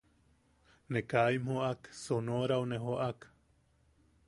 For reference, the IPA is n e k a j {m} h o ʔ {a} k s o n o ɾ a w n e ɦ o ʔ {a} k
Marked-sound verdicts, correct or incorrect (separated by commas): correct, correct, correct